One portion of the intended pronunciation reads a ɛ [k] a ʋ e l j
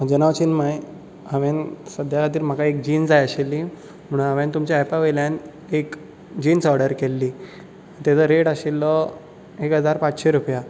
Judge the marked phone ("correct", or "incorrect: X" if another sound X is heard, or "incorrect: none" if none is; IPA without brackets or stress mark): incorrect: p